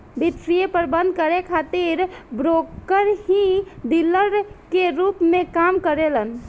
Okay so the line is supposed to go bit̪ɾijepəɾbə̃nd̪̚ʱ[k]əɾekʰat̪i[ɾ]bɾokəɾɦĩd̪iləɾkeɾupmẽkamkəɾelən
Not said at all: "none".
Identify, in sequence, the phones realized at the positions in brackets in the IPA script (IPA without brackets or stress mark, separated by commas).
k, ɾ